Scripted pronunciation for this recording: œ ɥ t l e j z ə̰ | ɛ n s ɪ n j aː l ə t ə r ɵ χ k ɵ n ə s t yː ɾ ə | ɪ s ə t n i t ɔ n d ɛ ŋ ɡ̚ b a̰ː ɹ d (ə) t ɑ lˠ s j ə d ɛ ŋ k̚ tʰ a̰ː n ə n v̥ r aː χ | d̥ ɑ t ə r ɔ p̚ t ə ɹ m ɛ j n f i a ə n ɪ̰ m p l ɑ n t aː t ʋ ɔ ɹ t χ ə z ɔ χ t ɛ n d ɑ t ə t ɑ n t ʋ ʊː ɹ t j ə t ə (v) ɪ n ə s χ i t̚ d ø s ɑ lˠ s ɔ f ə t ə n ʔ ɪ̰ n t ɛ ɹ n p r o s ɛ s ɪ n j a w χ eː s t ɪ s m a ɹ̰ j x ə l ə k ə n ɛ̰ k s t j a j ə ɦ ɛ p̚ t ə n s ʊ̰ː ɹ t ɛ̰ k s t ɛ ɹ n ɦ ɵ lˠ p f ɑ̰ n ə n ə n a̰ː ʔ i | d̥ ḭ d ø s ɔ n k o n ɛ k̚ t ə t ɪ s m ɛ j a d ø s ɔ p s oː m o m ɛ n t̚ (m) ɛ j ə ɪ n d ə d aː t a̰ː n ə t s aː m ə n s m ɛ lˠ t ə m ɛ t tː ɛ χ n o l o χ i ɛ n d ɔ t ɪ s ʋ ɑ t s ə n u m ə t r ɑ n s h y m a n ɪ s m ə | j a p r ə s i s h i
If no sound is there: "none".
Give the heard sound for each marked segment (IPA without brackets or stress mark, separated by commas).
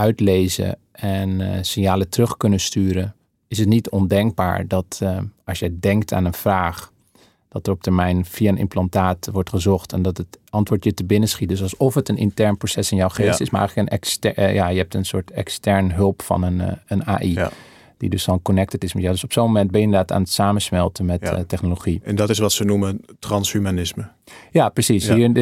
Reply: ɑ, b, b